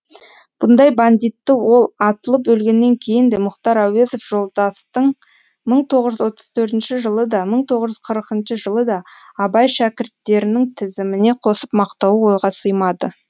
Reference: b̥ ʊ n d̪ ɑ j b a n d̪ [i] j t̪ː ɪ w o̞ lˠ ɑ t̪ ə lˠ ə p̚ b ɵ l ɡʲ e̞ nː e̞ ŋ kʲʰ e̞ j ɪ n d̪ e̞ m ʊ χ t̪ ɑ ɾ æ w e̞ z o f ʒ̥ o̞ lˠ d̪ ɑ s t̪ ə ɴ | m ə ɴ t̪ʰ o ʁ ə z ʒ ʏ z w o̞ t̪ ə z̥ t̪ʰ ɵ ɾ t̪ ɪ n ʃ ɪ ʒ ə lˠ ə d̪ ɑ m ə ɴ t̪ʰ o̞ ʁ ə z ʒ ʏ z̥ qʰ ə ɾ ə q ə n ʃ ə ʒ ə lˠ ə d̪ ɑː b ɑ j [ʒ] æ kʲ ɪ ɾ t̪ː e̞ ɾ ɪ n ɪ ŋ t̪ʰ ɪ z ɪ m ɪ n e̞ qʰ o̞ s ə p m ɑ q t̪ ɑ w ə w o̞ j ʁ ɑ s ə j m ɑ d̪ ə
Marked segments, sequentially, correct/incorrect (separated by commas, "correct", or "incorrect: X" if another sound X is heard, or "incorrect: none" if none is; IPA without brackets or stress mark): correct, incorrect: ʃ